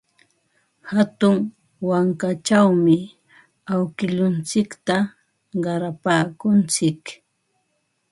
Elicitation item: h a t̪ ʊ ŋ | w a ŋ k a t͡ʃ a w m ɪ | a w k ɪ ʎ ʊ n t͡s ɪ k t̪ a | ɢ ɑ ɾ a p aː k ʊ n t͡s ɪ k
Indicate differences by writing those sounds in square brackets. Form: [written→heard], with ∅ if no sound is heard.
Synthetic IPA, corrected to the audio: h a t̪ ʊ ŋ | w a ŋ k a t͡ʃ a w m ɪ | a w k ɪ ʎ ʊ n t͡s ɪ k t̪ a | ɢ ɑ ɾ a p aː k ʊ n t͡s ɪ k